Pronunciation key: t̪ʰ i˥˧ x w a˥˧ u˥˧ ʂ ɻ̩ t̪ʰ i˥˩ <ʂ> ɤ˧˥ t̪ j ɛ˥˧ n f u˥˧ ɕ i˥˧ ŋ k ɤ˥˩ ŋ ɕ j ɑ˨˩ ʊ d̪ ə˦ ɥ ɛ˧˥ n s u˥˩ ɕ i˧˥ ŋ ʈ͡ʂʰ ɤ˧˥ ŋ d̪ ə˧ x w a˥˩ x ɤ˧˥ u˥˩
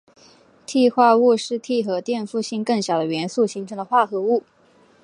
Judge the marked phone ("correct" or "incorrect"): incorrect